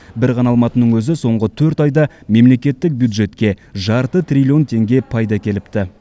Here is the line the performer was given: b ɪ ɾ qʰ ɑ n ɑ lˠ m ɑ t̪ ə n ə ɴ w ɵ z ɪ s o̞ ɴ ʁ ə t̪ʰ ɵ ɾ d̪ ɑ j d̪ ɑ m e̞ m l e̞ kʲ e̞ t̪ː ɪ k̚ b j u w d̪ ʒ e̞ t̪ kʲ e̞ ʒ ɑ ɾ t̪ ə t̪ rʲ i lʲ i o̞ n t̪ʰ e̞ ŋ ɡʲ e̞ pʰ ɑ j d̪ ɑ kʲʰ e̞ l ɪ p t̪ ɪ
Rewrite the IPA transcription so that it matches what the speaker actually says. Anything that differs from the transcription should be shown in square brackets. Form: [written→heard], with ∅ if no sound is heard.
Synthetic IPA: b ɪ ɾ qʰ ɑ n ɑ lˠ m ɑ t̪ ə n ə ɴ w ɵ z ɪ s o̞ ɴ ʁ ə t̪ʰ ɵ ɾ [d̪→t̪] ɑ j d̪ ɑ m e̞ m l e̞ kʲ e̞ t̪ː ɪ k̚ b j u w d̪ ʒ e̞ t̪ kʲ e̞ ʒ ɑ ɾ t̪ ə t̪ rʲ i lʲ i o̞ n t̪ʰ e̞ ŋ ɡʲ e̞ pʰ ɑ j d̪ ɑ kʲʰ e̞ l ɪ p t̪ ɪ